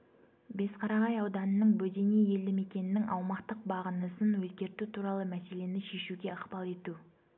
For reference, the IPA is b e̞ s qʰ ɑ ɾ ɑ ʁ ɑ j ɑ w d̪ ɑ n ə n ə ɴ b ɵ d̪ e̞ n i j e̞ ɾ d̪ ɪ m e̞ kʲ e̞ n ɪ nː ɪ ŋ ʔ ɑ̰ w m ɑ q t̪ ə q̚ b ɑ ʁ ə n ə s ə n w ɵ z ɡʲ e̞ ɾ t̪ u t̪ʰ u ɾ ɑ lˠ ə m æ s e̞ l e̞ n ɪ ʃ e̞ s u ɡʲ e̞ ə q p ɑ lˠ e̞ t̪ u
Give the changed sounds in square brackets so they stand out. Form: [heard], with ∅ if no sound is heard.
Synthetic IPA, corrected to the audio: b e̞ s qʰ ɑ ɾ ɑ ʁ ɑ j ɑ w d̪ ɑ n ə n ə ɴ b ɵ d̪ e̞ n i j e̞ [l] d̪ ɪ m e̞ kʲ e̞ n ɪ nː ɪ ŋ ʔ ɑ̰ w m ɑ q t̪ ə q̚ b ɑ ʁ ə n ə s ə n w ɵ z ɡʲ e̞ ɾ t̪ u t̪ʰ u ɾ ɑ lˠ ə m æ s e̞ l e̞ n ɪ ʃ e̞ [ʃ] u ɡʲ e̞ ə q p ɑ lˠ e̞ t̪ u

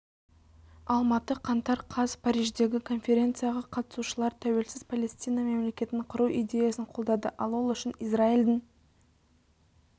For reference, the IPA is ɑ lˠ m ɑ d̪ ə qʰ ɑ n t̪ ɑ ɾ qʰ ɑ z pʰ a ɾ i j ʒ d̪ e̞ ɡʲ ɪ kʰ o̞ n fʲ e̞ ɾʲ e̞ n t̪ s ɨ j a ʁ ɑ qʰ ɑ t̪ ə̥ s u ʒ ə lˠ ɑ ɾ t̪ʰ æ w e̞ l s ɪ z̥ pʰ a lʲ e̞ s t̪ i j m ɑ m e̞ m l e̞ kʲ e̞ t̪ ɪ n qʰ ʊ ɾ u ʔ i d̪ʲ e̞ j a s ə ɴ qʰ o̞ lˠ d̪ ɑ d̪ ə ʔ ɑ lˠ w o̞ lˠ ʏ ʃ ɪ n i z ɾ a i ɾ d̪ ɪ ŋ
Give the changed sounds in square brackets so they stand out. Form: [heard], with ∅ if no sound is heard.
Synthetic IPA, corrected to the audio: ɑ lˠ m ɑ [t̪] ə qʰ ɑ n t̪ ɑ ɾ qʰ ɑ z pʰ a ɾ i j ʒ d̪ e̞ ɡʲ ɪ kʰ o̞ n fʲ e̞ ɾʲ e̞ n t̪ s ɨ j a ʁ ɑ qʰ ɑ t̪ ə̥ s u [ʃ] ə lˠ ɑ ɾ t̪ʰ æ w e̞ l s ɪ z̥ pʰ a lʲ e̞ s t̪ i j [n] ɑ m e̞ m l e̞ kʲ e̞ t̪ ɪ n qʰ ʊ ɾ u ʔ i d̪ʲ e̞ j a s ə ɴ qʰ o̞ lˠ d̪ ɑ d̪ ə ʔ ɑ lˠ w o̞ lˠ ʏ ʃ ɪ n i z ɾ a i [l] d̪ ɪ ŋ

